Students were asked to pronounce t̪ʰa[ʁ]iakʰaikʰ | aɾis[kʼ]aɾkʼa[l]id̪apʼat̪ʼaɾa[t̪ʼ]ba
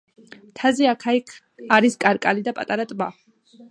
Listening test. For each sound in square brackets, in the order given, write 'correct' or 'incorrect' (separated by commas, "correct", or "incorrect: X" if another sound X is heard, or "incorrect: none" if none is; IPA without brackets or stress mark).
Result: incorrect: z, correct, correct, correct